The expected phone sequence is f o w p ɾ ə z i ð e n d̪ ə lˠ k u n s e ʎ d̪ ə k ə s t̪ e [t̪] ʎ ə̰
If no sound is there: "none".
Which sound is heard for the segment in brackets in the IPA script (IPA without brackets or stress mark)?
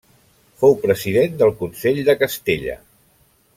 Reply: none